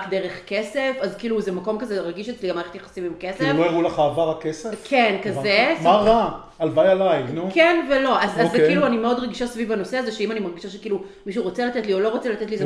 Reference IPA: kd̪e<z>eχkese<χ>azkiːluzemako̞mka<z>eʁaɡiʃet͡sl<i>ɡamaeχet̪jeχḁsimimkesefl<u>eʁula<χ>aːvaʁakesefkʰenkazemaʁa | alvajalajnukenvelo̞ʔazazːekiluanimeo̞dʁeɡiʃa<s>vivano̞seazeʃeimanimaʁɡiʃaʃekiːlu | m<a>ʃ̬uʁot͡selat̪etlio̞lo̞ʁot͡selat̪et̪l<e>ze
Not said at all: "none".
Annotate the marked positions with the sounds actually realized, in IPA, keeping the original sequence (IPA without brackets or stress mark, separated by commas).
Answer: ʁ, f, z, i, o, χ, s, i, i